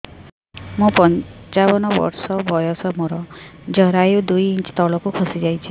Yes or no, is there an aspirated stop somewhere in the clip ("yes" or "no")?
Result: yes